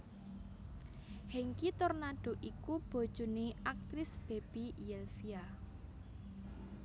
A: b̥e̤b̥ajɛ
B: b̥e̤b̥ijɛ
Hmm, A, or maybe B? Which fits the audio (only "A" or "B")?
B